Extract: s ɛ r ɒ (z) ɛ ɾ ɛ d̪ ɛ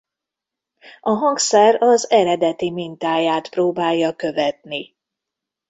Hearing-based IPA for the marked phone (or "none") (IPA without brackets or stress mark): z